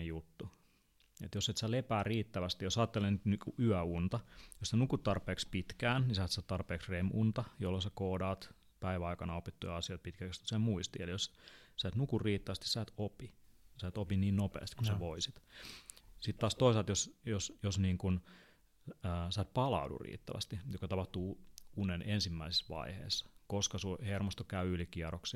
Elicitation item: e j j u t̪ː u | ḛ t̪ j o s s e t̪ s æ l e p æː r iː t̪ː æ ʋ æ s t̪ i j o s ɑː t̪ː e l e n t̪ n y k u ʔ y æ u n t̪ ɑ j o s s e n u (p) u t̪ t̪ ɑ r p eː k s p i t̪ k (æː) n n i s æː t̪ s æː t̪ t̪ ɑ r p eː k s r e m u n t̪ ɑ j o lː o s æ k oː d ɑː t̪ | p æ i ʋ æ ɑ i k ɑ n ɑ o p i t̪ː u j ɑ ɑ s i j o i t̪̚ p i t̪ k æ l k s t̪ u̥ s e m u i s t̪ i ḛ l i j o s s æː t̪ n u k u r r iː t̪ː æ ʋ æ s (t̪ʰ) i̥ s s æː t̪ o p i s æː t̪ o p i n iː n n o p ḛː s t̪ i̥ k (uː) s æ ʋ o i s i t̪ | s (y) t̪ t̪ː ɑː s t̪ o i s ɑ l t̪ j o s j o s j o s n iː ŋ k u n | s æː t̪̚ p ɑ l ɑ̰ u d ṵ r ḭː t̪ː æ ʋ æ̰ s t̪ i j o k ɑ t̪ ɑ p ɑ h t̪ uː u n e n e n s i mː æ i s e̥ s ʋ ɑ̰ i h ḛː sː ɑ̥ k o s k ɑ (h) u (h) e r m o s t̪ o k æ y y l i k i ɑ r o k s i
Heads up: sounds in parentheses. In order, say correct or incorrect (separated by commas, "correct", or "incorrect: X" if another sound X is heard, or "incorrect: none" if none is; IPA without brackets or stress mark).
incorrect: k, correct, incorrect: t̪, incorrect: u, incorrect: i, incorrect: s, correct